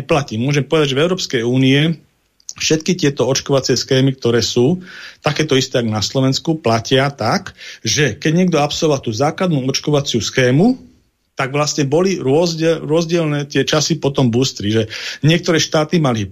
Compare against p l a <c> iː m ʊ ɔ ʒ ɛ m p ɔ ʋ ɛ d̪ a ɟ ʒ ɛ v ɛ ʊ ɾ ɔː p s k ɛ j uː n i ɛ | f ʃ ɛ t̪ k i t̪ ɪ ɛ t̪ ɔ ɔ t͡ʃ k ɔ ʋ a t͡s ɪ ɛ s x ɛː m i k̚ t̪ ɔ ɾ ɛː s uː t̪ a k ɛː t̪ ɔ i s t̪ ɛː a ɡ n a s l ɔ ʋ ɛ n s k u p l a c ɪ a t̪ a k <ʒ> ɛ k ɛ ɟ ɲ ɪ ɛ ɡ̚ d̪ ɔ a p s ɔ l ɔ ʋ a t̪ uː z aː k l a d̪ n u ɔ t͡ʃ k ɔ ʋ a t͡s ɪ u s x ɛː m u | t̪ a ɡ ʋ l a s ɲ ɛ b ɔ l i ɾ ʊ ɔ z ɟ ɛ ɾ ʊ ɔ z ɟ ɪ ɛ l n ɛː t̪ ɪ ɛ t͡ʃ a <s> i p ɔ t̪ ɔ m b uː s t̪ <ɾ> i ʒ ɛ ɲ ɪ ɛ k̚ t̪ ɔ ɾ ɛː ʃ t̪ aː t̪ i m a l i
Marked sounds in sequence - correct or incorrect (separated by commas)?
correct, correct, correct, correct